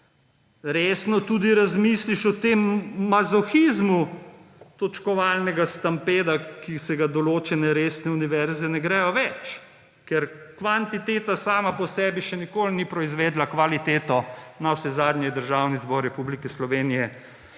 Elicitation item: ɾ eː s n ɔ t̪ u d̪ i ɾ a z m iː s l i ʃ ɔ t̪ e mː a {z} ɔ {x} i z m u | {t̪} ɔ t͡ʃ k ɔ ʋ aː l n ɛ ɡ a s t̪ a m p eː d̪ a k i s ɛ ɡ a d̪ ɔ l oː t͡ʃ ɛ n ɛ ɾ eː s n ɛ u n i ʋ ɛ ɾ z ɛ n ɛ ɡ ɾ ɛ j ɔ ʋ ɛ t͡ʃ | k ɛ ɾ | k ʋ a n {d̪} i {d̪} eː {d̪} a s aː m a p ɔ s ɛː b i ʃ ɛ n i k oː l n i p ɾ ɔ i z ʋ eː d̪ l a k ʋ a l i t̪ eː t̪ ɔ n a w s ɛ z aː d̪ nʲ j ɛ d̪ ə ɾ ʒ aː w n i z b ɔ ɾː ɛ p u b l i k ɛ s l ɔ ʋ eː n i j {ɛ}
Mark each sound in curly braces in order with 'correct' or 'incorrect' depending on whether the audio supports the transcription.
correct, correct, correct, incorrect: t̪, incorrect: t̪, incorrect: t̪, correct

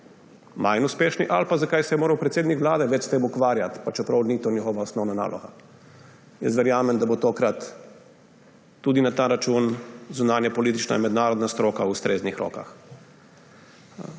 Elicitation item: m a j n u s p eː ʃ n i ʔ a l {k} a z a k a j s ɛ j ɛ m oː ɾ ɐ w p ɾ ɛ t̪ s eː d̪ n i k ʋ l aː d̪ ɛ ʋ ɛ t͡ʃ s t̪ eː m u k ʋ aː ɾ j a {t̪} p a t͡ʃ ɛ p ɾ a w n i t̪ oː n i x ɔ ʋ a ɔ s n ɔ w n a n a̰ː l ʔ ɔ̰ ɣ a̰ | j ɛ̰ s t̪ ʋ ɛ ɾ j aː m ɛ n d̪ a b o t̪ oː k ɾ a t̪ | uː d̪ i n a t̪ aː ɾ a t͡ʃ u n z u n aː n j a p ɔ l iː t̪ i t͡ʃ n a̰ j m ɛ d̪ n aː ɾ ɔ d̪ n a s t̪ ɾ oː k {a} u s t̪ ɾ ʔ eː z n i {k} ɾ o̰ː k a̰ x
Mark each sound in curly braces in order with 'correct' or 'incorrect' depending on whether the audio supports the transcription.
incorrect: p, correct, correct, incorrect: x

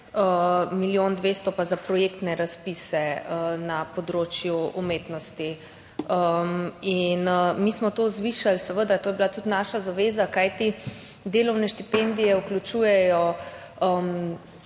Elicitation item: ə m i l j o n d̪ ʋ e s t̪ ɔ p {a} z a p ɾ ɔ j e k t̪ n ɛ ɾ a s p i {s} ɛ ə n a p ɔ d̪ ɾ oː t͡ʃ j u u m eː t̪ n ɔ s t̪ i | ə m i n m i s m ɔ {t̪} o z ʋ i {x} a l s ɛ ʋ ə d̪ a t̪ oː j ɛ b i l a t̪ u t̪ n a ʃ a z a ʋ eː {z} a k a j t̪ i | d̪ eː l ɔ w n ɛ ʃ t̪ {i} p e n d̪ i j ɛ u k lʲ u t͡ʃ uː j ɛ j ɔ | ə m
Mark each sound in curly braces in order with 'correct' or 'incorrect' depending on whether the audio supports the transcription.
correct, correct, correct, incorrect: ʃ, correct, correct

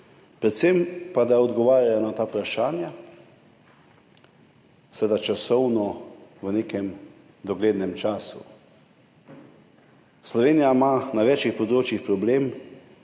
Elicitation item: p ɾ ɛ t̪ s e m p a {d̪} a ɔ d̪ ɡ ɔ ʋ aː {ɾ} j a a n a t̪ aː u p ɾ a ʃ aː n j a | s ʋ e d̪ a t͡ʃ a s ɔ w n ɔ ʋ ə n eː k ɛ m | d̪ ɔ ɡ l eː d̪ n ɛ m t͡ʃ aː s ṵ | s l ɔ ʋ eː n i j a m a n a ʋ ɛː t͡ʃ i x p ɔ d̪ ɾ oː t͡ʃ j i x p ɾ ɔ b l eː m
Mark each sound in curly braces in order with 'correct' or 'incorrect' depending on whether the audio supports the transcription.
correct, correct

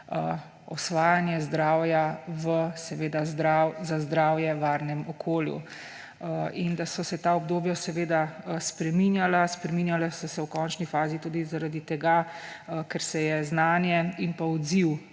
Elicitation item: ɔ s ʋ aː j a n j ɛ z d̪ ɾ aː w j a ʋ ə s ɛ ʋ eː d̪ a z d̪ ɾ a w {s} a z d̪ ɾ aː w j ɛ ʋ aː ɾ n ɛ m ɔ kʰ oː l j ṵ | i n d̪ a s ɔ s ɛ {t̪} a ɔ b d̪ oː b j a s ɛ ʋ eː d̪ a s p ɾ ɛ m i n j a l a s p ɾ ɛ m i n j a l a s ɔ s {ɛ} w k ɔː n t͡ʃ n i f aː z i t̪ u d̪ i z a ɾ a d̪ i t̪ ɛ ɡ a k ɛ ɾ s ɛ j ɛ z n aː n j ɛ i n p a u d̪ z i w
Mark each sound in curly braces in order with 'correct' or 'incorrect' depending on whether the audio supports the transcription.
incorrect: z, correct, correct

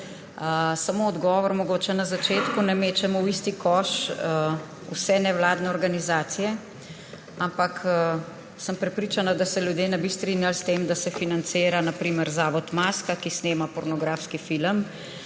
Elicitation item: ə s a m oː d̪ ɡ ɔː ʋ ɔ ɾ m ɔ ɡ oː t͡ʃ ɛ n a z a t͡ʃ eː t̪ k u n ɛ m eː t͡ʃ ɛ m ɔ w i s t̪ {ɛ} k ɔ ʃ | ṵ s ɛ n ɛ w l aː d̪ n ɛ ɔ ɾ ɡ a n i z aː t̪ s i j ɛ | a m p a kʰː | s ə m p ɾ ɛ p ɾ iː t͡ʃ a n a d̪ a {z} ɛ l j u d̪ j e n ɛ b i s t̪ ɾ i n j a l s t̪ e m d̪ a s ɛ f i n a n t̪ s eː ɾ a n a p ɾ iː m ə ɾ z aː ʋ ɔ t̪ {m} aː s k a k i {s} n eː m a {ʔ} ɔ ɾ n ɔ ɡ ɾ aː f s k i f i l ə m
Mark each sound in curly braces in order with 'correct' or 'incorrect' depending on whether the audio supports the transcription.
incorrect: i, incorrect: s, correct, correct, incorrect: p

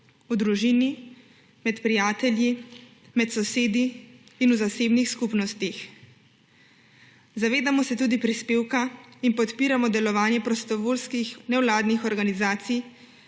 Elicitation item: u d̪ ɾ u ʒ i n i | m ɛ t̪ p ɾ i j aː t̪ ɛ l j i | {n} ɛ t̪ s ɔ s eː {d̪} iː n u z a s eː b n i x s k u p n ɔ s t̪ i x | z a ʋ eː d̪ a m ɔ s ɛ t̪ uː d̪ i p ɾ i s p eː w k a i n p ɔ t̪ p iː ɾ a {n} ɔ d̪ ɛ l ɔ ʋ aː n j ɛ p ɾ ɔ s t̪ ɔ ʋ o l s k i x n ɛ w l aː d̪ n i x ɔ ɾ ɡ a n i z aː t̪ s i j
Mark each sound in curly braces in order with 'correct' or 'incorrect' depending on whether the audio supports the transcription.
incorrect: m, correct, incorrect: m

